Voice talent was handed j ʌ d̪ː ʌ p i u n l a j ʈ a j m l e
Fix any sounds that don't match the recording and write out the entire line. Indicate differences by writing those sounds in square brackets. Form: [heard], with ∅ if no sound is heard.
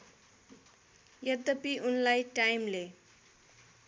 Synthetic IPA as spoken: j ʌ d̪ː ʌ p i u n l a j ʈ a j m l e